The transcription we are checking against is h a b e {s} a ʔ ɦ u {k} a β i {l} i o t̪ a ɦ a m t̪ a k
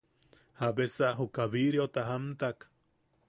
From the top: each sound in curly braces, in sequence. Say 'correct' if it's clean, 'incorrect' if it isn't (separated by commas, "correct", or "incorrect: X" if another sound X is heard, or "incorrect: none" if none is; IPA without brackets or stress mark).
correct, correct, incorrect: ɾ